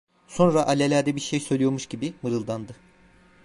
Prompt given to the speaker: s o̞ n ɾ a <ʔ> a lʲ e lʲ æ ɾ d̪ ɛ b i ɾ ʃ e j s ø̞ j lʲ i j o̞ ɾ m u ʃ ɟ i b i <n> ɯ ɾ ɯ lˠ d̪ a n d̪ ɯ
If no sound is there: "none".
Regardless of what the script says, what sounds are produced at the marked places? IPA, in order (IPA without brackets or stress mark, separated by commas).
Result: ʔ, m